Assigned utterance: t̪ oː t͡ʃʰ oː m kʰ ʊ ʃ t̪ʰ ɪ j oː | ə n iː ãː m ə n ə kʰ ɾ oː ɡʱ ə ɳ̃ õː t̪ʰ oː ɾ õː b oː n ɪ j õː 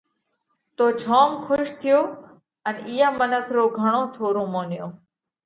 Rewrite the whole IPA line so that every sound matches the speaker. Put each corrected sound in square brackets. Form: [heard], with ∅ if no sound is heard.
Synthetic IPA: t̪ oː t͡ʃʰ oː m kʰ ʊ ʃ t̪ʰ ɪ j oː | ə n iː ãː m ə n ə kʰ ɾ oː ɡʱ ə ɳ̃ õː t̪ʰ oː ɾ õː [m] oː n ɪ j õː

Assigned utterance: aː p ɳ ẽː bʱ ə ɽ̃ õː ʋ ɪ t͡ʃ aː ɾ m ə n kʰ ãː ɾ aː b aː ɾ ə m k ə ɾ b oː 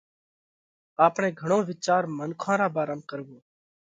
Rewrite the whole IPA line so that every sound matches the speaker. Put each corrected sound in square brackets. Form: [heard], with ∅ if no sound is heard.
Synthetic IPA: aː p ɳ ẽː [ɡʱ] ə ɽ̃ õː ʋ ɪ t͡ʃ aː ɾ m ə n kʰ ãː ɾ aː b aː ɾ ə m k ə ɾ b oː

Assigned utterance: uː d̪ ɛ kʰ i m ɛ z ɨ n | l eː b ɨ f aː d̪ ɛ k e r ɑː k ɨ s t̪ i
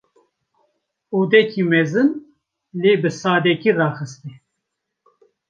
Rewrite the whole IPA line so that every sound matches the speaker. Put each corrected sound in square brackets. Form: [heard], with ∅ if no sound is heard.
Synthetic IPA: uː d̪ ɛ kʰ i m ɛ z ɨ n | l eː b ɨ [s] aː d̪ ɛ k [i] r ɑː [x] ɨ s t̪ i

